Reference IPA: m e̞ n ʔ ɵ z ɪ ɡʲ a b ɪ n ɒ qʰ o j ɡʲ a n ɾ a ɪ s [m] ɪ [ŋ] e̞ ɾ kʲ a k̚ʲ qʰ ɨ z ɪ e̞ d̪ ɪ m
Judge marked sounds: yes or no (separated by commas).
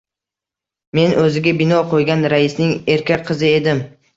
no, yes